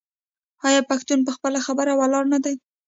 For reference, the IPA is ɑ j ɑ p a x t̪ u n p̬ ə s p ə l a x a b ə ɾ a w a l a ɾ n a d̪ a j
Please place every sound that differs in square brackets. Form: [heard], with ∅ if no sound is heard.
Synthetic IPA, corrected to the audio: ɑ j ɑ p a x t̪ u n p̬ ə [x] p ə l a x a b ə ɾ a w a l [ɑ] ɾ n a d̪ a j